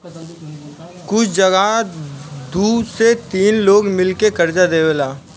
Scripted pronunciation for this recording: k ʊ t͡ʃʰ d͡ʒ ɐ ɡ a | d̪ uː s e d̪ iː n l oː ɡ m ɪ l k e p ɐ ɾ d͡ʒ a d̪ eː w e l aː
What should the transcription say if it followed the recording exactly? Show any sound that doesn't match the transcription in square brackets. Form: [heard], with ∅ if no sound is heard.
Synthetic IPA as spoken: k ʊ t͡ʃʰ d͡ʒ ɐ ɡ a | d̪ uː s e [t̪] iː n l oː ɡ m ɪ l k e [k] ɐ ɾ d͡ʒ a d̪ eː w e l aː